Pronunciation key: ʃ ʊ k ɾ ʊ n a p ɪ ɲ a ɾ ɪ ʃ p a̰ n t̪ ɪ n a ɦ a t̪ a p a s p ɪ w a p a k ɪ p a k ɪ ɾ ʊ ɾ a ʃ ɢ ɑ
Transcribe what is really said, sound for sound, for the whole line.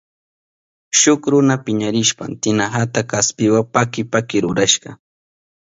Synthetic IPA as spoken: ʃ ʊ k ɾ ʊ n a p ɪ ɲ a ɾ ɪ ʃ p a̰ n t̪ ɪ n a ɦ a t̪ a k a s p ɪ w a p a k ɪ p a k ɪ ɾ ʊ ɾ a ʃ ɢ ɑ